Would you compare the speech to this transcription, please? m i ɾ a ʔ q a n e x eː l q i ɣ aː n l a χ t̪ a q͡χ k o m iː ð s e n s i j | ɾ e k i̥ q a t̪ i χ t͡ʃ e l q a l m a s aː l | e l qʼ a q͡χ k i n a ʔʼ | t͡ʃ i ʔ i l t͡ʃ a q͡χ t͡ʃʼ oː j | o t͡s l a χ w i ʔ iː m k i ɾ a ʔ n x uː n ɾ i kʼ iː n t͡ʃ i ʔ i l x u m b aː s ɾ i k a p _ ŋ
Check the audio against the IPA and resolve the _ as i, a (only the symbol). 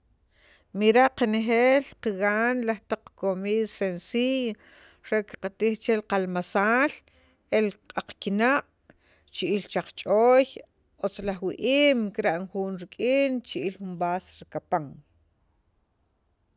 a